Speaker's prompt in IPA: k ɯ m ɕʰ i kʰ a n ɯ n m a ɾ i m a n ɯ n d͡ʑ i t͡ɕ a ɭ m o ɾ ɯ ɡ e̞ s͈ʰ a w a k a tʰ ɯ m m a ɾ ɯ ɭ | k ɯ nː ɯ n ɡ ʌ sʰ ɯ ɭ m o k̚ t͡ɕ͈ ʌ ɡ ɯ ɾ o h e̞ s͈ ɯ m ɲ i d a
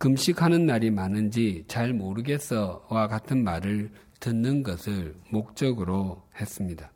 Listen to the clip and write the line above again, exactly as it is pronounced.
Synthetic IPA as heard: k ɯ m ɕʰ i kʰ a n ɯ n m a ɾ i m a n ɯ n d͡ʑ i t͡ɕ a ɭ m o ɾ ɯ ɡ e̞ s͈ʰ ʌ w a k a tʰ ɯ n m a ɾ ɯ ɭ | t ɯ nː ɯ n ɡ ʌ sʰ ɯ ɭ m o k̚ t͡ɕ͈ ʌ ɡ ɯ ɾ o h e̞ s͈ ɯ m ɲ i d a